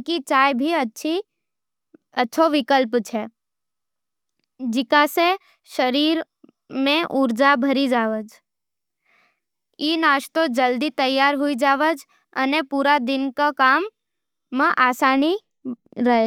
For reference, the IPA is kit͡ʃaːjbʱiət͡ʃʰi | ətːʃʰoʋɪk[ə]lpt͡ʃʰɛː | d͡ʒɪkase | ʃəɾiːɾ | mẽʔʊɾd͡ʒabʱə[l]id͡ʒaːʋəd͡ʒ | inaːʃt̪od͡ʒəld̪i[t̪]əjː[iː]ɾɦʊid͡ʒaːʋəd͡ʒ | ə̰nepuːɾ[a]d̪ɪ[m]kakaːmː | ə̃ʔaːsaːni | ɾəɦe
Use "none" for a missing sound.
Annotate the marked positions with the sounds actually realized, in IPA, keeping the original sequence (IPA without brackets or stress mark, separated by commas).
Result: ə, ɾ, t̪, aː, a, n